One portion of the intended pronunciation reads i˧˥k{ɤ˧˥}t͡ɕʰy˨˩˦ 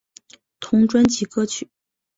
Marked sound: incorrect: ɤ˥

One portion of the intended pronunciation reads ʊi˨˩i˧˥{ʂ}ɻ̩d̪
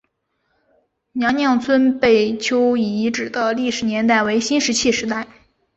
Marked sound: incorrect: ʈ͡ʂ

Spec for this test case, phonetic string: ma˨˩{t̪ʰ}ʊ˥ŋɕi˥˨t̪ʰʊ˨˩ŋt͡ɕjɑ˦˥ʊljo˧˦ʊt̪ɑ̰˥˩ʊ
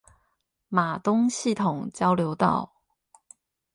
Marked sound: incorrect: t̪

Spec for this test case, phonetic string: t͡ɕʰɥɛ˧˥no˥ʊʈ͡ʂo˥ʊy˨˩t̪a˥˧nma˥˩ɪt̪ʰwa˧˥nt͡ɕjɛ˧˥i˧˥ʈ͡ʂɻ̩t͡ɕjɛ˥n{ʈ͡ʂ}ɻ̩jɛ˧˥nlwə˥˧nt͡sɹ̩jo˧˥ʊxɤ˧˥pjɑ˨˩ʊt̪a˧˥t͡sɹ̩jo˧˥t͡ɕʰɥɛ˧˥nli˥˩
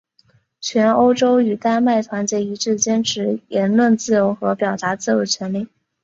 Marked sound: incorrect: ʈ͡ʂʰ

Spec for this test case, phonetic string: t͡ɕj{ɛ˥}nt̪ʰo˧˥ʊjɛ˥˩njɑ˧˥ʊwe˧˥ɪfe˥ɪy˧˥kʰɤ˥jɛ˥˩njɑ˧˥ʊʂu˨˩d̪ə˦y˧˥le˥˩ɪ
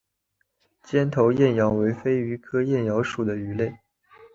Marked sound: correct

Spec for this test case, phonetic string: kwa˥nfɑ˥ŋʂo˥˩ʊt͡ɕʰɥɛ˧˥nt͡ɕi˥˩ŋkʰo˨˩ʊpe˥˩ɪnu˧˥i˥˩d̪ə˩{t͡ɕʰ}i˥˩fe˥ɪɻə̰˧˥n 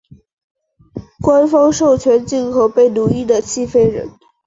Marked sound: correct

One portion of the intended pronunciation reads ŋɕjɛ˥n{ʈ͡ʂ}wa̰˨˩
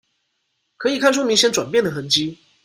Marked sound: correct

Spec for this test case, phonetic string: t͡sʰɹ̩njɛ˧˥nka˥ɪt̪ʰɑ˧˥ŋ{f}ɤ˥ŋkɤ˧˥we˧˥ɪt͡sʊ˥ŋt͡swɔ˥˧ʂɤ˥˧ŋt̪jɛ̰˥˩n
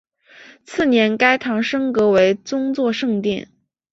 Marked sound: incorrect: ʂ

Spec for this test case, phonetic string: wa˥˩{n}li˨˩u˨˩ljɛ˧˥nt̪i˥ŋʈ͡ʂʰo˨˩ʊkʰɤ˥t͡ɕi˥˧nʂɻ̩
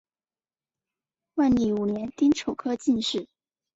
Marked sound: correct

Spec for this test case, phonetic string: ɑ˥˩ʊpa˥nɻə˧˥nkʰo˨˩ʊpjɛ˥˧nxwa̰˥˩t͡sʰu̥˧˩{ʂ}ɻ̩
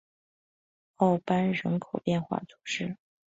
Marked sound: correct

